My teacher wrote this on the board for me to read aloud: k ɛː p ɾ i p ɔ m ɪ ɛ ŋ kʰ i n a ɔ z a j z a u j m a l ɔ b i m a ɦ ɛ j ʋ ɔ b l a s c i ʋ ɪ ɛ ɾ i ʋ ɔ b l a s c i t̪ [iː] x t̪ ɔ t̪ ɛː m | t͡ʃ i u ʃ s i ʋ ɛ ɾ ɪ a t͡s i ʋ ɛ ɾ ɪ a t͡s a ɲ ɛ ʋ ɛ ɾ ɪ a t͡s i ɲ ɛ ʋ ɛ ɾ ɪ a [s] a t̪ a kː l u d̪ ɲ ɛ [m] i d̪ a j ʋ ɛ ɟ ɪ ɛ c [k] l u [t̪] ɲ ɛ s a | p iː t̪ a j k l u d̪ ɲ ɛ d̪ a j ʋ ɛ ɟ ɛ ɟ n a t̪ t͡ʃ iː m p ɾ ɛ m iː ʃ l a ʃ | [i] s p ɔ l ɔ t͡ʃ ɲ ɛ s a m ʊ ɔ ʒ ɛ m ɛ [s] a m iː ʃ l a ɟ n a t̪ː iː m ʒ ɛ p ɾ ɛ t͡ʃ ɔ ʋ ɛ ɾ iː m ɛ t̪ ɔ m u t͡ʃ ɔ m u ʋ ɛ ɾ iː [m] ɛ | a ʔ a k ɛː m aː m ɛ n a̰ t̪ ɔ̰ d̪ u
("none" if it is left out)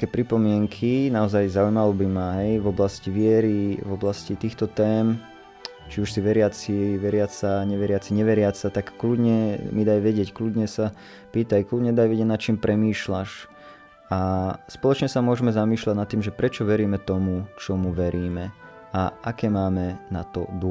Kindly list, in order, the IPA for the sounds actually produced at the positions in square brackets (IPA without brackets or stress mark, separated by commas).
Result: iː, t͡s, m, k, d̪, a, z, m